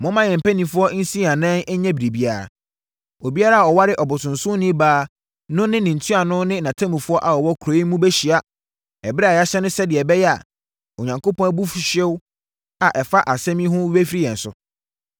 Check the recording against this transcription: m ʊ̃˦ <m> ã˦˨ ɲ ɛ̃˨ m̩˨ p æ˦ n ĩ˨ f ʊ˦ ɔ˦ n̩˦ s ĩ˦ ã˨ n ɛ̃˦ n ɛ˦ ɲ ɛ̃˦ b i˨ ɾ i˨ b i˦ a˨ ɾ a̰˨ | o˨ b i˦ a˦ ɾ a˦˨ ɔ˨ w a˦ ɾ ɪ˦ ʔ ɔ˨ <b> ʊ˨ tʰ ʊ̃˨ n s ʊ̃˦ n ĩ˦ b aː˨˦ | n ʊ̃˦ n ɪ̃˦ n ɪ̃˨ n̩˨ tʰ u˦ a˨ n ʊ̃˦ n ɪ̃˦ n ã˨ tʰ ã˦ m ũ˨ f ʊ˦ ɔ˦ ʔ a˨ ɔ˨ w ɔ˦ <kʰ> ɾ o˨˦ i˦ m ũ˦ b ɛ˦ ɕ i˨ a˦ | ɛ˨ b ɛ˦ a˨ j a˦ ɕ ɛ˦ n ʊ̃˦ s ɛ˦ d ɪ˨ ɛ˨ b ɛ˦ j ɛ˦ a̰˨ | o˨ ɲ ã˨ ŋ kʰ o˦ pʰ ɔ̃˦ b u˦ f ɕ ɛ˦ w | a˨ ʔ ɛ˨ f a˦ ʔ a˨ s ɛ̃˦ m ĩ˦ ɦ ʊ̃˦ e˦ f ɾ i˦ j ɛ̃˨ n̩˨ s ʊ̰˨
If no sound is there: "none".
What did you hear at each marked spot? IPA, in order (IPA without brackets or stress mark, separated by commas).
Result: m, b, kʰ